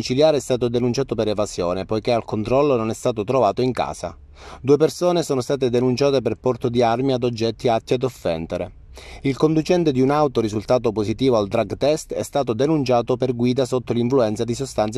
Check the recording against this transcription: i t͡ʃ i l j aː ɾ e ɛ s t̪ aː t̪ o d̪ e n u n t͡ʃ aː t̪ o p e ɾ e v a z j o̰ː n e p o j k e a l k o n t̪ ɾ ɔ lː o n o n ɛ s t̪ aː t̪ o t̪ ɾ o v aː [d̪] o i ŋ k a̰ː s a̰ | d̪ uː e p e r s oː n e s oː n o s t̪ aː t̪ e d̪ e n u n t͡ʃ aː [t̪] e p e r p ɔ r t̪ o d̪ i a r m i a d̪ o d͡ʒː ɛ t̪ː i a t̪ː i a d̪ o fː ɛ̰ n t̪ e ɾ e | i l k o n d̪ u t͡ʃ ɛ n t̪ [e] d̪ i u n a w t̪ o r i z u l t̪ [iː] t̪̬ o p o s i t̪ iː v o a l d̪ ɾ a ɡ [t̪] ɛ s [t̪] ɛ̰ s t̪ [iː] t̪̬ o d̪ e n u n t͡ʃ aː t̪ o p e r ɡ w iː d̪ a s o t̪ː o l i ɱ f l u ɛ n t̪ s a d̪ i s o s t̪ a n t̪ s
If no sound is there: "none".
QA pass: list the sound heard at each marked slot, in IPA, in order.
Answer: t̪, t̪, e, aː, t̪, t̪, aː

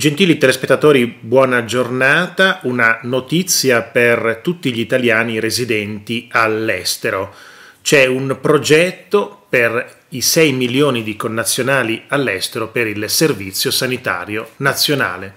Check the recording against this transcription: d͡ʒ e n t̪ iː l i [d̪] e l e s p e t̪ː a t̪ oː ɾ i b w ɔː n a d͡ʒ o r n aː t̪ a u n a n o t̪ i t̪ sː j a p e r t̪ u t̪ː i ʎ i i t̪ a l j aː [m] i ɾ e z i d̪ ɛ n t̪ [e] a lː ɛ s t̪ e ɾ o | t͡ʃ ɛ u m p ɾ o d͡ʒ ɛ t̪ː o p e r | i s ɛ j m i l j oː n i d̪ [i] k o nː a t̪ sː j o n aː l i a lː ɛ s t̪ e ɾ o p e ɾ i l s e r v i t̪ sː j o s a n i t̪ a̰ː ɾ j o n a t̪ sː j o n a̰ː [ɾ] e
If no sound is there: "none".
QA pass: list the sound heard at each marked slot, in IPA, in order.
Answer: t̪, n, i, i, l

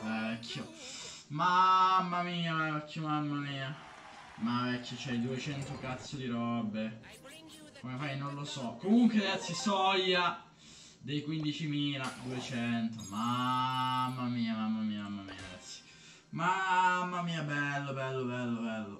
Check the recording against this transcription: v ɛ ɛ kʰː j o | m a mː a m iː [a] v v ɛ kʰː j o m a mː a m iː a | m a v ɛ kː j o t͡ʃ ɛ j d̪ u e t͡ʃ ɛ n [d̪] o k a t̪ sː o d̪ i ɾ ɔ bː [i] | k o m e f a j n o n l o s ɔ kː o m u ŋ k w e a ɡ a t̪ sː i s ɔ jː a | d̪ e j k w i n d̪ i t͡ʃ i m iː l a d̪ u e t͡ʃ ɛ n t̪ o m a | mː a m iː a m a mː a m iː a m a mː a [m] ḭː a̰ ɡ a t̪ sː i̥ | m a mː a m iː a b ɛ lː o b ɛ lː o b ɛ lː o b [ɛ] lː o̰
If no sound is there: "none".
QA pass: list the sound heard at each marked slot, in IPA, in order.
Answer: a, t̪, e, m, ɛ

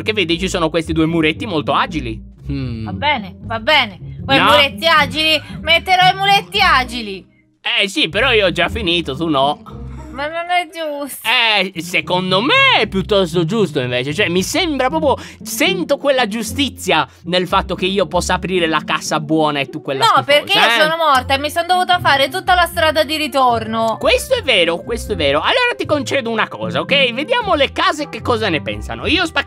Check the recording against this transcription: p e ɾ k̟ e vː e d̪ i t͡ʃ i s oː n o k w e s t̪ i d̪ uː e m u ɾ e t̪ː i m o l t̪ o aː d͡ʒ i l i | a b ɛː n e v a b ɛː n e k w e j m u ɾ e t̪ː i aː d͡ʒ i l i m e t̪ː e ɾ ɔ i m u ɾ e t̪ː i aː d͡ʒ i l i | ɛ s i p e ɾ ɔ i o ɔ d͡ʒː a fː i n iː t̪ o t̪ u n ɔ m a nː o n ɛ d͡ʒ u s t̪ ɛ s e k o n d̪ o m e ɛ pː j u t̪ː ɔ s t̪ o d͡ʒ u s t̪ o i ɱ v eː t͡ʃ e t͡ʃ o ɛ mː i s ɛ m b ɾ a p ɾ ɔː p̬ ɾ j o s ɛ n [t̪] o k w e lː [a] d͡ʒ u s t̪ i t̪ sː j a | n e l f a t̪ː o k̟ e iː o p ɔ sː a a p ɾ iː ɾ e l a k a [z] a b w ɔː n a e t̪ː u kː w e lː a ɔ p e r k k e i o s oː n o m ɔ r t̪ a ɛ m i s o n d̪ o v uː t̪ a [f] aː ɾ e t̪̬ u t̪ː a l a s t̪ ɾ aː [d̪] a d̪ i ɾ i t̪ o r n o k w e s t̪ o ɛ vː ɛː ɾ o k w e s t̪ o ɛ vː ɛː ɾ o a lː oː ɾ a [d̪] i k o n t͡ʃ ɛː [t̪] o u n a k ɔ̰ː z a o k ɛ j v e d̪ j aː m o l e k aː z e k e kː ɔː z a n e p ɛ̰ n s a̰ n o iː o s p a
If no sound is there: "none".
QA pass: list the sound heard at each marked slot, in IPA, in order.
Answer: t̪, a, s, f, d̪, t̪, d̪

